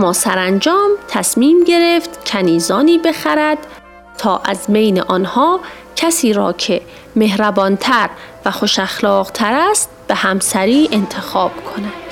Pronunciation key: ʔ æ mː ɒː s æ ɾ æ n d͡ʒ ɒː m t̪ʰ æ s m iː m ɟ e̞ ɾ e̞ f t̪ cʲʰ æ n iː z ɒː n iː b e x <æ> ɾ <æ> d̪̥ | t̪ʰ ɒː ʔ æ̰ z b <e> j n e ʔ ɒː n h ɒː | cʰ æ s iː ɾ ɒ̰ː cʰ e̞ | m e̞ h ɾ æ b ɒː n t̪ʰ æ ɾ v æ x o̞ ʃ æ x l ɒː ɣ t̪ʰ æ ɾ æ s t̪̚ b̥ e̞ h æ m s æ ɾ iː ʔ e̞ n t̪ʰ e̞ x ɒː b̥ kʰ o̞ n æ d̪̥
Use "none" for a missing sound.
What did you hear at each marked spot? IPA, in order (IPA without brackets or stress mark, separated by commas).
æ, æ, e